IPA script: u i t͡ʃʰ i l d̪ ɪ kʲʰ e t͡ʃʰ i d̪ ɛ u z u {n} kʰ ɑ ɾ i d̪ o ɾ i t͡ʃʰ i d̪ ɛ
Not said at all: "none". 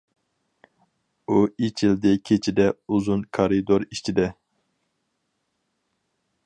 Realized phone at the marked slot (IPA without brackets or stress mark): n